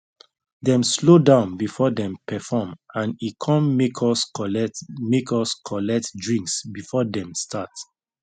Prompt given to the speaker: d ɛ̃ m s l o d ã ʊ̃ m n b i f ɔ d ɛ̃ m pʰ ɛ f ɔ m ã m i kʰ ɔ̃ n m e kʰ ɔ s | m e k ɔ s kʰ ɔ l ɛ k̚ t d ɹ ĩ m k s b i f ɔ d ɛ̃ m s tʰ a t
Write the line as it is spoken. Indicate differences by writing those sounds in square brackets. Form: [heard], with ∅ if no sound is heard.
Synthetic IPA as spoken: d ɛ̃ m s l o d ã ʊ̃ [∅] n b i f ɔ d ɛ̃ m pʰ ɛ f ɔ m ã [n] i kʰ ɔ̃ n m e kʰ ɔ s | m e k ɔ s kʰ ɔ l ɛ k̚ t d ɹ ĩ [ŋ] k s b i f ɔ d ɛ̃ m s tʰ a t